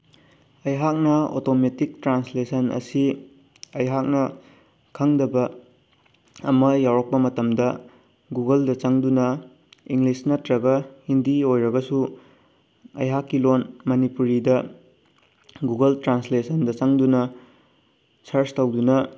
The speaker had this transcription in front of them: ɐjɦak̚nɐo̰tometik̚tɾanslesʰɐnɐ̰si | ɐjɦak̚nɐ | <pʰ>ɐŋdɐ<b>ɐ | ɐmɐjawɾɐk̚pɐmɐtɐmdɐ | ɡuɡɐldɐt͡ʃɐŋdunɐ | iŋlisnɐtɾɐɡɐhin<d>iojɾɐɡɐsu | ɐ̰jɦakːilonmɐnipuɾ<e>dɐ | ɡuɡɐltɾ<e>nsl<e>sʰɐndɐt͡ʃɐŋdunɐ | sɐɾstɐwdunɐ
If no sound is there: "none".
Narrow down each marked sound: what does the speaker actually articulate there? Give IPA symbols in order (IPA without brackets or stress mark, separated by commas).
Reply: kʰ, b, d, i, a, e